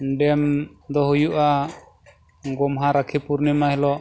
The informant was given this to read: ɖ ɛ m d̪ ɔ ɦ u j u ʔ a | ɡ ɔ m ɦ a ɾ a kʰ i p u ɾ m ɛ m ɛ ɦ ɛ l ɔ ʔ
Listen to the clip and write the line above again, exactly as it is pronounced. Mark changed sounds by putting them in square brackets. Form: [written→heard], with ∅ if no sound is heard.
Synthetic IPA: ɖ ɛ m d̪ ɔ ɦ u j u ʔ a | ɡ ɔ m ɦ a ɾ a kʰ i p u ɾ [m→n] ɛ m [ɛ→a] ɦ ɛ l ɔ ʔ